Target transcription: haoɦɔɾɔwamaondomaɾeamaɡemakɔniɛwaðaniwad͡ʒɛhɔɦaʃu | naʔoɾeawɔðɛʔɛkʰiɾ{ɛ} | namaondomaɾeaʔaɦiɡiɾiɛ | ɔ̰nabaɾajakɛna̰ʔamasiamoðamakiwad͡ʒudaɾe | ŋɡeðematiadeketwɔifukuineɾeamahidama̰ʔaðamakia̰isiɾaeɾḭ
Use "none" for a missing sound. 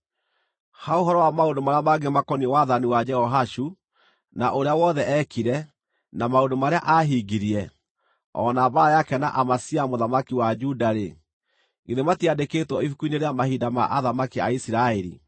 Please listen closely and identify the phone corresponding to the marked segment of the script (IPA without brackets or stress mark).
ɛ